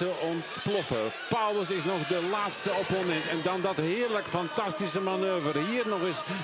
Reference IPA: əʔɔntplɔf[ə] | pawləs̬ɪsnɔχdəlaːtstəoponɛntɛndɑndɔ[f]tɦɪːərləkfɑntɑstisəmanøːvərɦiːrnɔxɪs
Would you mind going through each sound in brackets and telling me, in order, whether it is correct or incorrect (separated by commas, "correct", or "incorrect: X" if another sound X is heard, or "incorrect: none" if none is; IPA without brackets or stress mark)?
correct, incorrect: none